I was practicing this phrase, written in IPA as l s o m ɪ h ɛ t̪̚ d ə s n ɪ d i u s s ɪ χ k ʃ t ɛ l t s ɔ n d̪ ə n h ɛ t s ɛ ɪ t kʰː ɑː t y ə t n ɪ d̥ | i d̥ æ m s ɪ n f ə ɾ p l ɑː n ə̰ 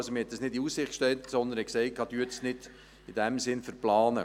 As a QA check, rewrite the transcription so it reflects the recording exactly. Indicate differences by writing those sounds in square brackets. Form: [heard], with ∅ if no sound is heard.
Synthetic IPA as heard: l s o m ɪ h ɛ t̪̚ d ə s n ɪ d i u s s ɪ χ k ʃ t ɛ l t s ɔ n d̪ ə n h ɛ [k] s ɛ ɪ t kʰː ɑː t y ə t n ɪ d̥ | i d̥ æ m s ɪ n f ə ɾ p l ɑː n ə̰